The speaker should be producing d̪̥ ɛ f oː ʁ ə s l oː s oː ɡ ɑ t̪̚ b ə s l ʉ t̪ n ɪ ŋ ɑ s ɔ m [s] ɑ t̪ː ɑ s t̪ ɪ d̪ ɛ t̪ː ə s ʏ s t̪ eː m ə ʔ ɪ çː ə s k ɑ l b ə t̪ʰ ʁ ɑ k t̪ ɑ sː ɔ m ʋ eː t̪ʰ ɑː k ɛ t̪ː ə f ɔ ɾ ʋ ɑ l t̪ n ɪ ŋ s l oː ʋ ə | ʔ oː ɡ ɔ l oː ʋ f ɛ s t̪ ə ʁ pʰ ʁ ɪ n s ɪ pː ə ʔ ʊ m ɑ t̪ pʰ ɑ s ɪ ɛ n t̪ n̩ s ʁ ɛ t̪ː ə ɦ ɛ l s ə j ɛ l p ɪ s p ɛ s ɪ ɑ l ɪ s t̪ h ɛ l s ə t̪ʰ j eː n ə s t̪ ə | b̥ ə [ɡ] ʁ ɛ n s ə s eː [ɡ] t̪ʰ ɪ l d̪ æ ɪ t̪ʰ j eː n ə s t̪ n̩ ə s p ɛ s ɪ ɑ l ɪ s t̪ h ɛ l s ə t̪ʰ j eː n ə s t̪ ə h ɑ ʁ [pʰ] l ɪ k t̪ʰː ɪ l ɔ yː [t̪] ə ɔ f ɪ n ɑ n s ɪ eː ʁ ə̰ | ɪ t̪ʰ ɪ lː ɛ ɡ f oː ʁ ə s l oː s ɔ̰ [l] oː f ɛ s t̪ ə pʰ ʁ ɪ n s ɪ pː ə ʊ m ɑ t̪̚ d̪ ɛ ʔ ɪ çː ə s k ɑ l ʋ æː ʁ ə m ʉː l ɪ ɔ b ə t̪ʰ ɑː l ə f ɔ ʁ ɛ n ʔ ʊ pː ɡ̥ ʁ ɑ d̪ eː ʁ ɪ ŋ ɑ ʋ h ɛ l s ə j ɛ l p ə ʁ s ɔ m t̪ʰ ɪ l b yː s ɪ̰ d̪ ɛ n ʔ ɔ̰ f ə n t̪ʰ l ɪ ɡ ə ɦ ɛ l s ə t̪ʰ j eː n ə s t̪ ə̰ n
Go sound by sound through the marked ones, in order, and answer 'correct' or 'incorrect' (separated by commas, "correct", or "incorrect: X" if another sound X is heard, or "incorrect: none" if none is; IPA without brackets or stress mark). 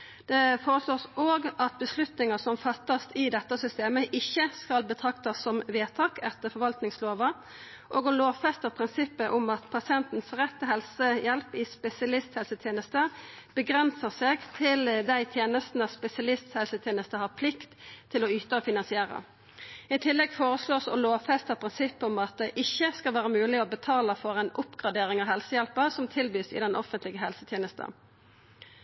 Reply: incorrect: f, correct, correct, correct, correct, correct